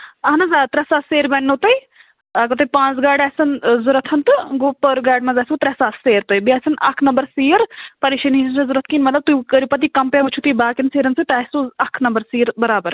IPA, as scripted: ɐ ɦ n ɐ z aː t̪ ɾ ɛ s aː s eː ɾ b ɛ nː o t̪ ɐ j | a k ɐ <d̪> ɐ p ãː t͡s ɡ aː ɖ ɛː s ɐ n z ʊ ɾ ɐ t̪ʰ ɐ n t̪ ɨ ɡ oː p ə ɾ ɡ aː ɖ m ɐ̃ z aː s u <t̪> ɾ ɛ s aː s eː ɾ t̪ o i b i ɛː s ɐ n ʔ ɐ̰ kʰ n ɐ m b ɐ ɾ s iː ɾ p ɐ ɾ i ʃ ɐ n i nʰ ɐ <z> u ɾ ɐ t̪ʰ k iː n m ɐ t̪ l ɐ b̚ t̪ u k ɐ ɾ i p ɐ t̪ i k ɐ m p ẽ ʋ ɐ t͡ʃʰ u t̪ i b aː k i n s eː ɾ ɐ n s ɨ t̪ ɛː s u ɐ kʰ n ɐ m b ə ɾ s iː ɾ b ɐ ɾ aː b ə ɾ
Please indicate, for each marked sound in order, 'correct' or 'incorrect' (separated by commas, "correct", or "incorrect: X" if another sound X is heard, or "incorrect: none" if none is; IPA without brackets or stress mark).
incorrect: t̪, correct, correct